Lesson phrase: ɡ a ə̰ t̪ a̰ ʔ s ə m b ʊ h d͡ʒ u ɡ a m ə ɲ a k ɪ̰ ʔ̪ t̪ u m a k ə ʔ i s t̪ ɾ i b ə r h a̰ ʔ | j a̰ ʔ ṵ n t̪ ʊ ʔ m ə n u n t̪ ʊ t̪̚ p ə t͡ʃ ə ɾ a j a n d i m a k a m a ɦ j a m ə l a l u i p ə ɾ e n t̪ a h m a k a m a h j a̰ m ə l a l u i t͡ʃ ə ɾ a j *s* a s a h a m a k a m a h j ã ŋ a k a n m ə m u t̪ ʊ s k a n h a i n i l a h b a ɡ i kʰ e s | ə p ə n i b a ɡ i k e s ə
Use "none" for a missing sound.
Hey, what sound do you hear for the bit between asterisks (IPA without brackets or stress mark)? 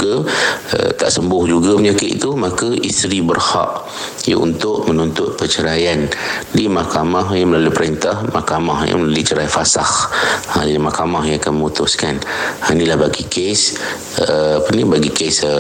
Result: f